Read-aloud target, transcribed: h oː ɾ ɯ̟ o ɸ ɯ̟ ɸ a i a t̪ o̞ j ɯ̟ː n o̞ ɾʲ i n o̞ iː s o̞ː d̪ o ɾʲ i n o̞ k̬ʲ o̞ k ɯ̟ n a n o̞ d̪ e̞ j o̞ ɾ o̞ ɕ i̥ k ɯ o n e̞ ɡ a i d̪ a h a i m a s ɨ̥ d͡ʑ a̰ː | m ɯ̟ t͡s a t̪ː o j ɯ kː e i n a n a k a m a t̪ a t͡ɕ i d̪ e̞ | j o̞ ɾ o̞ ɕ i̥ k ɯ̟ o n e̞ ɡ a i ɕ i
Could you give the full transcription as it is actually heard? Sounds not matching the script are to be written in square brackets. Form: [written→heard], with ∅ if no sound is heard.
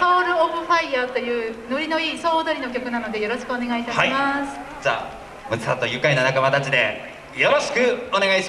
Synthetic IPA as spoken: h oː ɾ ɯ̟ o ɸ ɯ̟ ɸ a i a t̪ o̞ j ɯ̟ː n o̞ ɾʲ i n o̞ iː s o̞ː d̪ o ɾʲ i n o̞ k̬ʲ o̞ k ɯ̟ n a n o̞ d̪ e̞ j o̞ ɾ o̞ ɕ i̥ k ɯ o n e̞ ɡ a i [d̪→t̪] a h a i m a s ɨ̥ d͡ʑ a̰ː | m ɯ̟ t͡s a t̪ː o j ɯ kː [e→a] i n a n a k a m a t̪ a t͡ɕ i d̪ e̞ | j o̞ ɾ o̞ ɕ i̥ k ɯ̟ o n e̞ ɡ a i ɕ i